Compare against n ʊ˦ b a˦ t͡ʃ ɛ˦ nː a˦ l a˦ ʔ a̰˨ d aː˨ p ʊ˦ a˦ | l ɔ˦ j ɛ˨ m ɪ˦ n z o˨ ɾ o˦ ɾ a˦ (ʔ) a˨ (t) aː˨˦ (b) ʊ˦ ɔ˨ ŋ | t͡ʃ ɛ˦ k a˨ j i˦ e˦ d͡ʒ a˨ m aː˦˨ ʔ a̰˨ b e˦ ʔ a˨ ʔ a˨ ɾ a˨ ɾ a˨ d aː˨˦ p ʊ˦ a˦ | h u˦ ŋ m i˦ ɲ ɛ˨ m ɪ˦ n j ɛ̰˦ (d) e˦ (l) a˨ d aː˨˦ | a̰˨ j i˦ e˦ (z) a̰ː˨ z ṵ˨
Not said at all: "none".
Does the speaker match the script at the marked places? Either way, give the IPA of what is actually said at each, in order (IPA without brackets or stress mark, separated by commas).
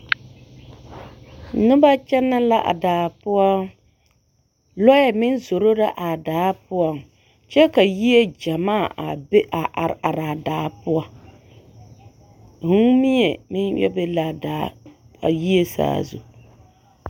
ʔ, d, p, b, l, s